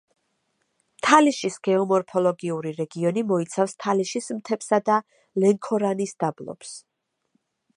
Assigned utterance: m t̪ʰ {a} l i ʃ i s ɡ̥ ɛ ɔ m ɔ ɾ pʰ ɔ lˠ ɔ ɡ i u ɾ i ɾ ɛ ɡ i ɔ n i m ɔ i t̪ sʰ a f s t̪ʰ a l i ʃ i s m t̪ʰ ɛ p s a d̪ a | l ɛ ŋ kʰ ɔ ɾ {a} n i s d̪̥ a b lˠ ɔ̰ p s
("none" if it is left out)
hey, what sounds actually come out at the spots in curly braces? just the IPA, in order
a, a

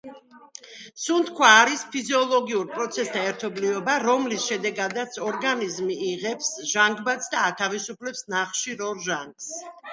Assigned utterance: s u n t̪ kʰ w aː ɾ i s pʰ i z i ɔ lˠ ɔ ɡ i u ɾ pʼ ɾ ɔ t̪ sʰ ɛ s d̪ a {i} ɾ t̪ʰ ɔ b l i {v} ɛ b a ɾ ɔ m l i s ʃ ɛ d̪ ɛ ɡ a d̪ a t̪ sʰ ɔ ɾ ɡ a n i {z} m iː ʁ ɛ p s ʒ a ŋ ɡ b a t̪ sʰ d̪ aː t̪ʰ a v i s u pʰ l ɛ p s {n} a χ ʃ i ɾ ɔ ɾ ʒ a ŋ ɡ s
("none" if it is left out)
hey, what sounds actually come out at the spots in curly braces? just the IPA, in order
ɛ, v, z, n

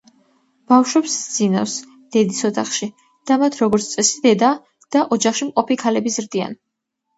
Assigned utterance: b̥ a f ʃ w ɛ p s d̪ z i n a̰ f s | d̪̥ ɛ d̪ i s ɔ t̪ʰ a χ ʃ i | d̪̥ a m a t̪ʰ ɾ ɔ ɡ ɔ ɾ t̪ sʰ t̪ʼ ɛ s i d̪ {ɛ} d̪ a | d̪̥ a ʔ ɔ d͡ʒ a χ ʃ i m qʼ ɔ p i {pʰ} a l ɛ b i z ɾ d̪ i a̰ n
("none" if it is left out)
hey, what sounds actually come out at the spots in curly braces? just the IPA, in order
ɛ, kʰ

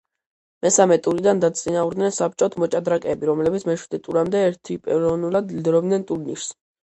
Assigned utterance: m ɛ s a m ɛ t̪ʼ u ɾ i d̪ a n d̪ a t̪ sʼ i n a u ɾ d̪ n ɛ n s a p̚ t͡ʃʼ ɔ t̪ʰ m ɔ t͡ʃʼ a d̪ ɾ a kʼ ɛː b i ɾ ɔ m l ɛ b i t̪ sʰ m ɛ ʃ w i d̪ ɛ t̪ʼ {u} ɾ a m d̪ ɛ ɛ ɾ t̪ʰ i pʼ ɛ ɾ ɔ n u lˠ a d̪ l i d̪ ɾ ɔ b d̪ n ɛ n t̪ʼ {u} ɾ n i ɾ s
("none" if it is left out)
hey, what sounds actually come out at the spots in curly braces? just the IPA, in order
u, u

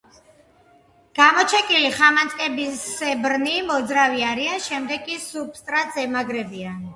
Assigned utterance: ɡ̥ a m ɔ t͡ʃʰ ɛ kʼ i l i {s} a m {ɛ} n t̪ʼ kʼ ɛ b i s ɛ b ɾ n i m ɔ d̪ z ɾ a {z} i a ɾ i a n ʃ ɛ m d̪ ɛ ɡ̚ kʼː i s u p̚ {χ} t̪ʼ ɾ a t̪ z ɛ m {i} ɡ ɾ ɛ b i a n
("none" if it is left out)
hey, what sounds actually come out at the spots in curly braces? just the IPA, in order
χ, a, v, s, a

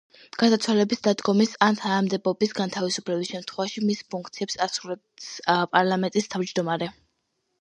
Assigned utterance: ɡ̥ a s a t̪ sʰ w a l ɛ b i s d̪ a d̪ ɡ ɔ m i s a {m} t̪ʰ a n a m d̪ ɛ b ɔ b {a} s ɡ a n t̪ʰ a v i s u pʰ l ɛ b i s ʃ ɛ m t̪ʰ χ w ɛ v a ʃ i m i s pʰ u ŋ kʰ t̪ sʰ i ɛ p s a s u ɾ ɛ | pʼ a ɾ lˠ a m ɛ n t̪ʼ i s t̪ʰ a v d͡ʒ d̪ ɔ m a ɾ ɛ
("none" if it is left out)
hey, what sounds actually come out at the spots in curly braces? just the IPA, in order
n, i

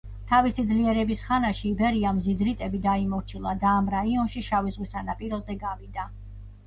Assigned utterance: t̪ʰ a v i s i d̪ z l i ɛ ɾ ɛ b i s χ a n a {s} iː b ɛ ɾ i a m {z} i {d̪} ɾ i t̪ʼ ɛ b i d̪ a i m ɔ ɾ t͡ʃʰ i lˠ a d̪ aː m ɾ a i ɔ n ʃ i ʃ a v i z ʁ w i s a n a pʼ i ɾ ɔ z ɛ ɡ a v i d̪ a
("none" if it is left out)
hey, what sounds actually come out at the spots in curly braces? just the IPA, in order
ʃ, z, d̪

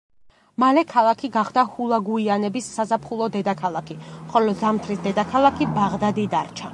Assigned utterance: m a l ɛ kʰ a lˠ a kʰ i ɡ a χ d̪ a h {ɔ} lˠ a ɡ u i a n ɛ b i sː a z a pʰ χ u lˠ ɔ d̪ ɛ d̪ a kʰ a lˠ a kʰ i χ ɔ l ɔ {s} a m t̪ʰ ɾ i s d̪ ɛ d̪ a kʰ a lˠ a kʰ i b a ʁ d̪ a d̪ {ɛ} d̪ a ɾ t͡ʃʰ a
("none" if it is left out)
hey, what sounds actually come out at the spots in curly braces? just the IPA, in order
u, z, i

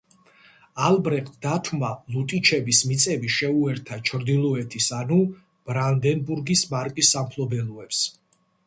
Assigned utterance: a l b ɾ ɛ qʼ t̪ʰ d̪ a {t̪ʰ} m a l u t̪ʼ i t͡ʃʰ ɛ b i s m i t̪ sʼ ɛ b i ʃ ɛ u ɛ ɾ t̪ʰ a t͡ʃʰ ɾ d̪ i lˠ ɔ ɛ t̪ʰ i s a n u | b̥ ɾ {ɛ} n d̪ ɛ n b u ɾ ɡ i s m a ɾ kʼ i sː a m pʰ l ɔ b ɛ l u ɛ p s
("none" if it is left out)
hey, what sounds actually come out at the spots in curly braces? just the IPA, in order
t̪ʰ, a

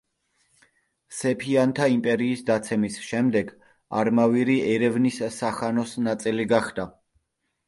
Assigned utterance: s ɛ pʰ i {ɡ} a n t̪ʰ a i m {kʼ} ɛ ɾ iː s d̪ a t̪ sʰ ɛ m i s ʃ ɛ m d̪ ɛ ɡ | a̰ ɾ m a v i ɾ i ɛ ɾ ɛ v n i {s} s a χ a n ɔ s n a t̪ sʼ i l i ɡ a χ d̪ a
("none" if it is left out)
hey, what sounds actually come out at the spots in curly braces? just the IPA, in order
none, pʼ, s

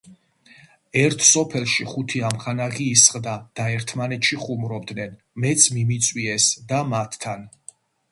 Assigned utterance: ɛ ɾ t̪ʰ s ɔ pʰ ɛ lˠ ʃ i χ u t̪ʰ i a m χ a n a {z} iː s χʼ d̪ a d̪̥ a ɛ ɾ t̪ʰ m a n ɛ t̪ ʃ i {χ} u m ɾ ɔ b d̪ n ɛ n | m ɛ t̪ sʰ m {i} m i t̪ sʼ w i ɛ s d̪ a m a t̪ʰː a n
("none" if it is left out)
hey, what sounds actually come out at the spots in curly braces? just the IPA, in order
ʁ, χ, i

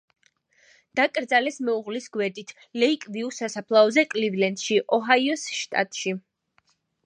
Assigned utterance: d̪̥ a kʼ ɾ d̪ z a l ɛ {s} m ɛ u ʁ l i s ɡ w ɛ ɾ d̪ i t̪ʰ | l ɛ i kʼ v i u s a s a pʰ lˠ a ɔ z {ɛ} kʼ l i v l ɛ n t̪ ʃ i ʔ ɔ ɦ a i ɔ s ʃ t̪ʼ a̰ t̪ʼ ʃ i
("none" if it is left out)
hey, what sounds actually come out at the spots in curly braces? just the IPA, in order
s, ɛ

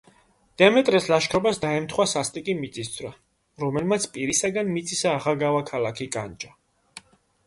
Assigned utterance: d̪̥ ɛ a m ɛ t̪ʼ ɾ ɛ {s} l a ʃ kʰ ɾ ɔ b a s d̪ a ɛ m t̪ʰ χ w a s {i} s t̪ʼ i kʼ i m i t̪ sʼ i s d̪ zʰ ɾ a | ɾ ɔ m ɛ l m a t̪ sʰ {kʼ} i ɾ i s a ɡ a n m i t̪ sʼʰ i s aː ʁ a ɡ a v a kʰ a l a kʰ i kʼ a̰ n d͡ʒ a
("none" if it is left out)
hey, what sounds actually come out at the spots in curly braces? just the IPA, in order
s, a, pʼ

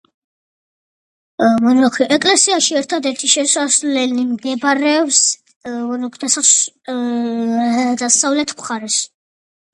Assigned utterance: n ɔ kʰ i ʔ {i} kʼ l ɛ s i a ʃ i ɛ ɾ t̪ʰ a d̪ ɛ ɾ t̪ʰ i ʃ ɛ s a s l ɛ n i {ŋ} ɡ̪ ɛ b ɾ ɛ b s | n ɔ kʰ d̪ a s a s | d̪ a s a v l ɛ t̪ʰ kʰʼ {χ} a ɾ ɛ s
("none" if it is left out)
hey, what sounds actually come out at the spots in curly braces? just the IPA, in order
ɛ, m, χ

